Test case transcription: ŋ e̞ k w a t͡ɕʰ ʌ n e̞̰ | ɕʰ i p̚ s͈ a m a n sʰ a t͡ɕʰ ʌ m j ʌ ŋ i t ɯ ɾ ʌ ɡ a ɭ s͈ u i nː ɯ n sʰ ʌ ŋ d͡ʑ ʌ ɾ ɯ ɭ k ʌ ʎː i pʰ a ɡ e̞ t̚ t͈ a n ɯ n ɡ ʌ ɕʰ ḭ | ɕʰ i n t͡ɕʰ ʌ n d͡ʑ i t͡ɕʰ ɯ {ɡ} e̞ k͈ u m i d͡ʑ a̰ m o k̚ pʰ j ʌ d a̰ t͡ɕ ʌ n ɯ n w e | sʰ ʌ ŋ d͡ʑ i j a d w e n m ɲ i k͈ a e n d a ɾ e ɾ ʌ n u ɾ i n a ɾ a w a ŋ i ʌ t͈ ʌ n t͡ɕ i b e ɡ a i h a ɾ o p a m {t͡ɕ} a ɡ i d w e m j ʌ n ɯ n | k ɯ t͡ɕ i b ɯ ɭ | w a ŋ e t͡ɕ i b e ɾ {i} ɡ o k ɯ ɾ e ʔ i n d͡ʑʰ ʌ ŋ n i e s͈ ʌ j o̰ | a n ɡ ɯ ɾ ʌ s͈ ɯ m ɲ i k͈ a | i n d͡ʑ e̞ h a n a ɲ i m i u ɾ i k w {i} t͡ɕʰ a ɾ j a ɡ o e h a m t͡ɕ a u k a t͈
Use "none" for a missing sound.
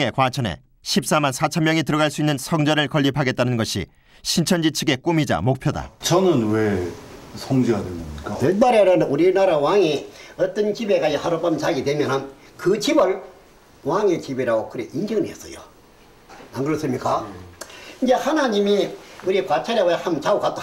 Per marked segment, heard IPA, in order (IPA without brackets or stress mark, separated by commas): ɡ, t͡ɕ, a, a